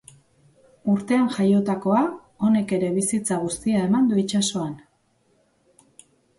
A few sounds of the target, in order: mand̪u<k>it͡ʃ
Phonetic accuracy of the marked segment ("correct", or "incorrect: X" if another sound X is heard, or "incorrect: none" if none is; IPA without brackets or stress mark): incorrect: none